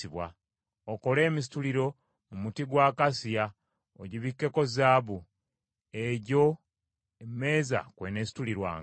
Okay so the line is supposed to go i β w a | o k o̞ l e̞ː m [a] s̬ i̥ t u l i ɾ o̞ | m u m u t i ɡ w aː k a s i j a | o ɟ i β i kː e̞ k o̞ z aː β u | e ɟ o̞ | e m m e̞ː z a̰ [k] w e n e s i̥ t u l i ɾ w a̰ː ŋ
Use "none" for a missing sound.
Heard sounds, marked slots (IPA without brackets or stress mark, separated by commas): i, k